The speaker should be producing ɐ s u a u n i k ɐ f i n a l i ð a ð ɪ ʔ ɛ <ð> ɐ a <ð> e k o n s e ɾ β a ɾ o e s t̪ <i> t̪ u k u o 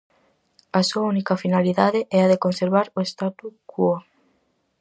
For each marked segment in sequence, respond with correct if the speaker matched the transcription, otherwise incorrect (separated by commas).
incorrect, correct, incorrect